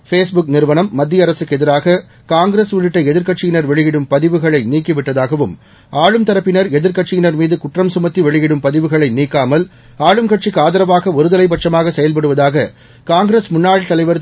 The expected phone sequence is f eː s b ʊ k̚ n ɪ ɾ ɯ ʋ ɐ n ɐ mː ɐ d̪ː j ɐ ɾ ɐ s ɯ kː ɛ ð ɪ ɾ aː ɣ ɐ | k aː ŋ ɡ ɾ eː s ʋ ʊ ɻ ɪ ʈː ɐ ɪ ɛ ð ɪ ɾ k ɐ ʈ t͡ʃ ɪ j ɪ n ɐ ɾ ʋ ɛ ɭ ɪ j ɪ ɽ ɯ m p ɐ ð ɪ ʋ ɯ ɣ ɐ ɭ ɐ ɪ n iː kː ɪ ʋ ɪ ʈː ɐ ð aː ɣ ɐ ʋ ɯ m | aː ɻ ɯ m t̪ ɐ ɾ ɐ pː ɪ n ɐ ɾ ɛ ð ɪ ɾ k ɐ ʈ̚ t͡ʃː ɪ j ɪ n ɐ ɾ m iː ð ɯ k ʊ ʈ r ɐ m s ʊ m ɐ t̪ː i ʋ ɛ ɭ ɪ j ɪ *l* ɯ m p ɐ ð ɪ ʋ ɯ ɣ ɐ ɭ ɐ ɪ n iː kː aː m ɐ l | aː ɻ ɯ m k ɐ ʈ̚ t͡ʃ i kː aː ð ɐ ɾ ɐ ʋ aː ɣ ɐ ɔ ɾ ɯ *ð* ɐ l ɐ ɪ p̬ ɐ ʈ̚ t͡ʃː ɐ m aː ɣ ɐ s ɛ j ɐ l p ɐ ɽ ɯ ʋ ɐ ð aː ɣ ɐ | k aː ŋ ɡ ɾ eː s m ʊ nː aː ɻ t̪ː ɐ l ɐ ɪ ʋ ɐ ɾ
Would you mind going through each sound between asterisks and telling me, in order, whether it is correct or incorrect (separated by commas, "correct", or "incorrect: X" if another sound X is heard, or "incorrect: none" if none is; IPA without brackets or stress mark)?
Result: incorrect: ɽ, correct